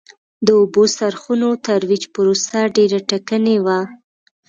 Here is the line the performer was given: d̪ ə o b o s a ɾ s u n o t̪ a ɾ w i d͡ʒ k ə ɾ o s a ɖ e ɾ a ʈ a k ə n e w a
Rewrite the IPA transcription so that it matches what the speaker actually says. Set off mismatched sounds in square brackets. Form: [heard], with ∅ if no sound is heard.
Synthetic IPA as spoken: d̪ ə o b o s a ɾ [x] u n o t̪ a ɾ w i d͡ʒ [p] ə ɾ o s a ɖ e ɾ a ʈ a k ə n e w a